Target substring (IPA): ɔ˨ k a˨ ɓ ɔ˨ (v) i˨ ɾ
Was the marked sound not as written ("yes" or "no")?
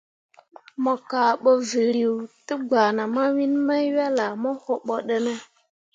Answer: no